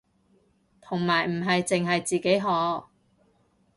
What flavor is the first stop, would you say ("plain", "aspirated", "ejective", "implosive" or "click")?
aspirated